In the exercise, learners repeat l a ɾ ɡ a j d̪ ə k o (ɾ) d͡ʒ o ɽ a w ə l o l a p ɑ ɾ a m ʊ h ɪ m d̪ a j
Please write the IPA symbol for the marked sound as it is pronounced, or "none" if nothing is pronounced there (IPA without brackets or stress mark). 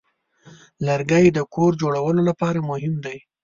ɾ